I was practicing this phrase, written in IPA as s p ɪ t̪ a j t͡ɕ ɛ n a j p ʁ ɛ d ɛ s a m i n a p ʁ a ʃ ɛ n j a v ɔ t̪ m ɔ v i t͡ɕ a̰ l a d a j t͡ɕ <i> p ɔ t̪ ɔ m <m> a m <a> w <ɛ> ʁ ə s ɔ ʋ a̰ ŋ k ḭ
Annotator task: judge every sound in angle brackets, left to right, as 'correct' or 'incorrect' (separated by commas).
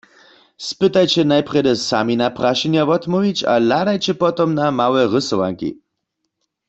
incorrect, incorrect, correct, correct